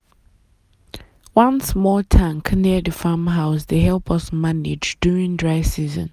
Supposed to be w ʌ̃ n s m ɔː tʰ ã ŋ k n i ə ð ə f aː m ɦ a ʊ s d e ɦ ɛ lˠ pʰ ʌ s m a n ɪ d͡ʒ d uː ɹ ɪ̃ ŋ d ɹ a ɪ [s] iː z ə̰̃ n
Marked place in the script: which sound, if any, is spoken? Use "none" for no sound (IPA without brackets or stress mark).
s